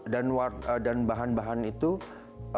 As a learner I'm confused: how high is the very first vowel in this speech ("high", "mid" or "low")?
low